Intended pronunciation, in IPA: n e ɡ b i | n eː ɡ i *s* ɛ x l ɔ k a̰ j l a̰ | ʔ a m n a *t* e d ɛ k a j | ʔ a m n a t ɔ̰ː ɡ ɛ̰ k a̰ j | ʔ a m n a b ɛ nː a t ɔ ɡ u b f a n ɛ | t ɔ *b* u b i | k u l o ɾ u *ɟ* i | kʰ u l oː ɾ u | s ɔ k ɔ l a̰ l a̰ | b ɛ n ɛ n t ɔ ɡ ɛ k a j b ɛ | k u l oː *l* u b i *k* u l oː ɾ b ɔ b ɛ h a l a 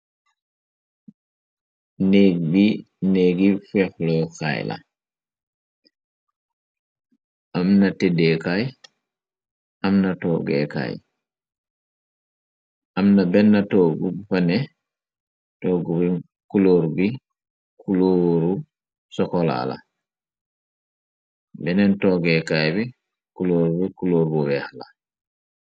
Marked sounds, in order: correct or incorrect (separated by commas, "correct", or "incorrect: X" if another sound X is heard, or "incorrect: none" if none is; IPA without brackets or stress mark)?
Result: incorrect: f, correct, incorrect: ɡ, incorrect: b, incorrect: ɾ, correct